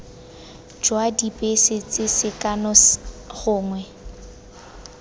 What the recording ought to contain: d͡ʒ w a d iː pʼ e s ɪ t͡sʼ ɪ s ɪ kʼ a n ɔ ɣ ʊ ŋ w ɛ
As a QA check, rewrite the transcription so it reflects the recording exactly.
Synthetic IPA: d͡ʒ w a d i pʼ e s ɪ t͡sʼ ɪ s ɪ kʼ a n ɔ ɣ ʊː ŋ w ɛ

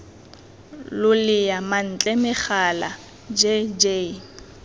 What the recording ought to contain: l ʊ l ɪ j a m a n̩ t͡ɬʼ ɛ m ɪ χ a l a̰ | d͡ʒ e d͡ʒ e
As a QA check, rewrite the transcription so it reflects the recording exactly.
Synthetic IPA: l ʊ l ɪ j a m a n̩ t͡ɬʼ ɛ m ɪ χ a l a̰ | d͡ʒ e d͡ʒ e

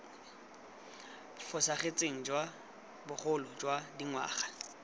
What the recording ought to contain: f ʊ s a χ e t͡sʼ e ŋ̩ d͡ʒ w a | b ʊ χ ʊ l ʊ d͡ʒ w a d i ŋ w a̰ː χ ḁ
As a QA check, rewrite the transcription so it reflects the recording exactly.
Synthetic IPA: f ʊ s a χ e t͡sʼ e ŋ̩ d͡ʒ w a | b ʊ χ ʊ l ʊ d͡ʒ w a d i ŋ w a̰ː χ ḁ

